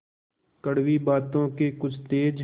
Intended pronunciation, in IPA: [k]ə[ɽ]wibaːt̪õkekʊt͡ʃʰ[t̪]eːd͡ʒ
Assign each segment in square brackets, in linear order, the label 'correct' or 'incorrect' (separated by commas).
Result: correct, correct, correct